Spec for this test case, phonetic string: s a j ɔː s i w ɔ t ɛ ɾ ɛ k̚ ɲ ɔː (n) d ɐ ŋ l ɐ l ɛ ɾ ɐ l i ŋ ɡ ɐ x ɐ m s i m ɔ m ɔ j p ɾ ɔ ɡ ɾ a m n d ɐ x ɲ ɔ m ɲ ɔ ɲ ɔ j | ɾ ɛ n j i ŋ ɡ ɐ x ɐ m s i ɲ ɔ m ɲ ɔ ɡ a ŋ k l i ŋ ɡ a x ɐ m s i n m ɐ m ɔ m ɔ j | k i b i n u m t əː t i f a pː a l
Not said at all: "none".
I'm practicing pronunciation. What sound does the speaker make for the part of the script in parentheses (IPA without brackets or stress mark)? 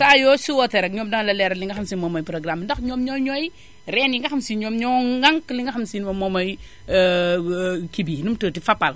m